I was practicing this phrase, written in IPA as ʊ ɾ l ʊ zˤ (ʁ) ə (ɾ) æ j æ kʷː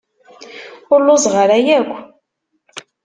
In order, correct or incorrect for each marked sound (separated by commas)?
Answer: correct, correct